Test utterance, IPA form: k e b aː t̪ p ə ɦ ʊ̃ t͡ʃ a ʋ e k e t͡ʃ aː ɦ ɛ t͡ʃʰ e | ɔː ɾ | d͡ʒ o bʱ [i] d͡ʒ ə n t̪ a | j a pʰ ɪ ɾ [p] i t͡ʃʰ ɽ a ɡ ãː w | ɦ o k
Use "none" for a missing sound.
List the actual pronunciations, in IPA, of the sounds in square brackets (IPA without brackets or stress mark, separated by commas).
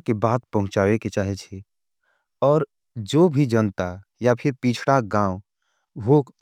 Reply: i, p